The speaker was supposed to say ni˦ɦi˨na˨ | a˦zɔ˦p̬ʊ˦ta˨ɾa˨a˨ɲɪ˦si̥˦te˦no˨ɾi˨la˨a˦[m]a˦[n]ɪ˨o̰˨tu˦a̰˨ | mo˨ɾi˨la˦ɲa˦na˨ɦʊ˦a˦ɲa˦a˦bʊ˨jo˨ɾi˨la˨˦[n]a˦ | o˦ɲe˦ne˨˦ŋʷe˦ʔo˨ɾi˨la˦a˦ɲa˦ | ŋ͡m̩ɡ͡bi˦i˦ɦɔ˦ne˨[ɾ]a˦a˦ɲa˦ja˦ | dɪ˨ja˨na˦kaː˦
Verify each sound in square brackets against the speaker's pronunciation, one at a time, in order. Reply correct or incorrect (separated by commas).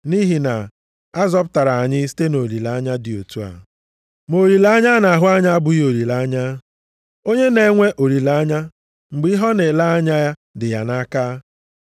incorrect, incorrect, incorrect, incorrect